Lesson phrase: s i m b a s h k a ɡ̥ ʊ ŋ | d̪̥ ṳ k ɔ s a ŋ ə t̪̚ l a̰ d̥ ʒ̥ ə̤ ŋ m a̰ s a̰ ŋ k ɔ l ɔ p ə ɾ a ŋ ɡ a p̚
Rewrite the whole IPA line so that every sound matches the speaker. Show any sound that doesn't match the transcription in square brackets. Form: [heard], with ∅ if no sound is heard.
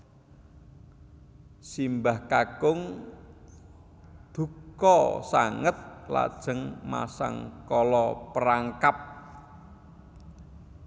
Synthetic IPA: s i m b a [∅] h k a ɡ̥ ʊ ŋ | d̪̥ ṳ k ɔ s a ŋ ə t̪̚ l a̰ d̥ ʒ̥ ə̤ ŋ m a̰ s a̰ ŋ k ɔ l ɔ p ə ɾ a ŋ [k] a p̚